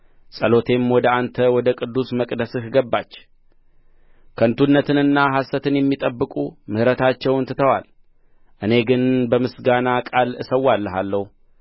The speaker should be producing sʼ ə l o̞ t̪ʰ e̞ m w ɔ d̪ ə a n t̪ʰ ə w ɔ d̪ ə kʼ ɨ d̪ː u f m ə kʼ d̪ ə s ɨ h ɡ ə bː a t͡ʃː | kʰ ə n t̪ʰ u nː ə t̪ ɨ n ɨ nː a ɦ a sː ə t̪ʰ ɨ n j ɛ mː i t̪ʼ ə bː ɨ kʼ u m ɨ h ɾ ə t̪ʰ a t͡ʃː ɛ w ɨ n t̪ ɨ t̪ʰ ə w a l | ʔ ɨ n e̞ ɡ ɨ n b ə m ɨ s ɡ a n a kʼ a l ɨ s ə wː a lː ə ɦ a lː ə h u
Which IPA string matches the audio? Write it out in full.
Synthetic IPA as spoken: sʼ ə l o̞ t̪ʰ e̞ m w ɔ d̪ ə a n t̪ʰ ə w ɔ d̪ ə kʼ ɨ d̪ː u s m ə kʼ d̪ ə s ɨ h ɡ ə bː a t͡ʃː | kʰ ə n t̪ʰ u nː ə t̪ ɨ n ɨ nː a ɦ a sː ə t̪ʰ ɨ n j ɛ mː i t̪ʼ ə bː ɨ kʼ u m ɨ h ɾ ə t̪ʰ a t͡ʃː ɛ w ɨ n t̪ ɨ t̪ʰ ə w a l | ʔ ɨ n e̞ ɡ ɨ n b ə m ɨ s ɡ a n a kʼ a l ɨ s ə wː a lː ə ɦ a lː ə h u